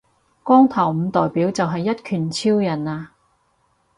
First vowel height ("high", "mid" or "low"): mid